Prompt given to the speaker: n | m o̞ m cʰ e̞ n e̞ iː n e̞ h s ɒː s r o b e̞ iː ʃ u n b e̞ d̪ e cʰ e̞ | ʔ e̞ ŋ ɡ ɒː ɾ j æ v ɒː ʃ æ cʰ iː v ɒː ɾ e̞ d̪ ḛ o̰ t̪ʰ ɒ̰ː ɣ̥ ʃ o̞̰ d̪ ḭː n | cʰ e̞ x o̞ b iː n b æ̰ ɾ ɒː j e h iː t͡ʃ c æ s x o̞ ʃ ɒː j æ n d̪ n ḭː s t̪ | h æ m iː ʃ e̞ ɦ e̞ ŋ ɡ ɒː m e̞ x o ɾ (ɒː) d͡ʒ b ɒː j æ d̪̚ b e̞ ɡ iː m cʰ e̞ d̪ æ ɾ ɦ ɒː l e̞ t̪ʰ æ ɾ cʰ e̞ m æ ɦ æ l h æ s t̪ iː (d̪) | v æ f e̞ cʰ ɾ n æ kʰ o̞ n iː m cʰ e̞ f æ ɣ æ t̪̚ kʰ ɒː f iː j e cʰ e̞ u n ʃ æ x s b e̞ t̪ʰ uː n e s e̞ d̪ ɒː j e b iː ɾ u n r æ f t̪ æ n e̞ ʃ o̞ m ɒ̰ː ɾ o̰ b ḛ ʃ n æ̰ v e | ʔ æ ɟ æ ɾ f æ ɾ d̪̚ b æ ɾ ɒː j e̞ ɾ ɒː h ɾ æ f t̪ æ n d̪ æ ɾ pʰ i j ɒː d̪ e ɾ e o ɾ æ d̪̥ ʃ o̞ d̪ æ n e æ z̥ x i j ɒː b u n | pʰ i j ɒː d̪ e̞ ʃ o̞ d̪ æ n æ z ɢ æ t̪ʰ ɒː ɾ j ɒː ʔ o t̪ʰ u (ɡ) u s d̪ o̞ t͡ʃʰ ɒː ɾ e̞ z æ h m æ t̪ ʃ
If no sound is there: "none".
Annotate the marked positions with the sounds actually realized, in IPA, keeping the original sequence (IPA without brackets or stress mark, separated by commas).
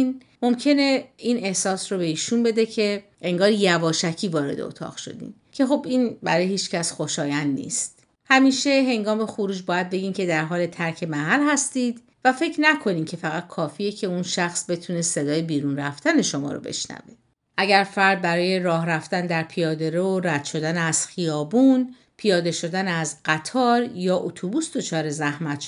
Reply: uː, d̪, b